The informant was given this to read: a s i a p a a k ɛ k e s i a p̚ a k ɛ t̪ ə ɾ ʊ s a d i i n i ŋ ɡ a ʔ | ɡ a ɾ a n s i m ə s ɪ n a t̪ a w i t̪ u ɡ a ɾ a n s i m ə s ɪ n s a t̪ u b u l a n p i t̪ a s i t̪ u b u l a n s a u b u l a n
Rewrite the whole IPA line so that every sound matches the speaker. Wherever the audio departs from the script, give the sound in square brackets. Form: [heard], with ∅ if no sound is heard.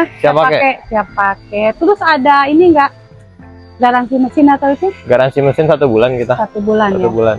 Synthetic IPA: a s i a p a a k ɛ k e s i a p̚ a k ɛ t̪ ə ɾ ʊ s a d [a] i n i ŋ ɡ a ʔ | ɡ a ɾ a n s i m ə s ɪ n a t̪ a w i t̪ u ɡ a ɾ a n s i m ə s ɪ n s a t̪ u b u l a n [k] i t̪ a s [a] t̪ u b u l a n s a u b u l a n